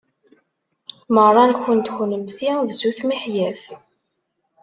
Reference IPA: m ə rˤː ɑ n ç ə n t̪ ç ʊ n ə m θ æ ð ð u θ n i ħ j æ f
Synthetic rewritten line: m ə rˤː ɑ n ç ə n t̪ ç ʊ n ə m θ i ð z u θ m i ħ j æ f